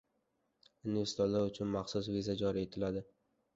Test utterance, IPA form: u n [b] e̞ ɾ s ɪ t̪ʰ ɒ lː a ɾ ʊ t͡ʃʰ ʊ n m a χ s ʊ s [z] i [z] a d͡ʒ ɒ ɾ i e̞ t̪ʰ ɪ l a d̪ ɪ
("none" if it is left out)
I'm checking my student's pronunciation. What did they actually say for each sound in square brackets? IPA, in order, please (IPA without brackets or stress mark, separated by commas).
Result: v, v, z